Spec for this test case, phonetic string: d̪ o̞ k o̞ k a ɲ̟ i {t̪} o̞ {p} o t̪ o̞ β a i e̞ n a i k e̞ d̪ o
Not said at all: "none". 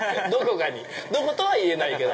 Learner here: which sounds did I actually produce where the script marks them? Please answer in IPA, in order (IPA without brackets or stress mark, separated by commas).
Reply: d̪, k